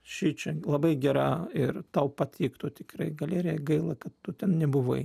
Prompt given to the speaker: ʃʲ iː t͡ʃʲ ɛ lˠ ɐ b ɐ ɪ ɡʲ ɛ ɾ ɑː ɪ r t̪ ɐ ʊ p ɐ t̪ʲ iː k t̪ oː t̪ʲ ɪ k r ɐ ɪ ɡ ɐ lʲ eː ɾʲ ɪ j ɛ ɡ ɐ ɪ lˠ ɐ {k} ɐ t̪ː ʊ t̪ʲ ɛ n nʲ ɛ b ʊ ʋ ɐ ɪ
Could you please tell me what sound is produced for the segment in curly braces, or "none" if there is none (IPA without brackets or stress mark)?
k